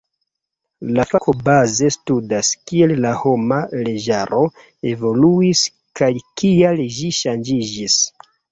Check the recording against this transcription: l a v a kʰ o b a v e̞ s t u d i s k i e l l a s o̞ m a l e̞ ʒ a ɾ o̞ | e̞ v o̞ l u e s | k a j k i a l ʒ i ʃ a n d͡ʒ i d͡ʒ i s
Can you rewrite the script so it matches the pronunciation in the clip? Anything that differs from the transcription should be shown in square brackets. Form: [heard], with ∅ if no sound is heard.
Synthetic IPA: l a [f] a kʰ o b a [z] e̞ s t u d [a] s k i e l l a [h] o̞ m a l e̞ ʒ a ɾ o̞ | e̞ v o̞ l u [i] s | k a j k i a l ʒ i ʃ a n d͡ʒ i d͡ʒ i s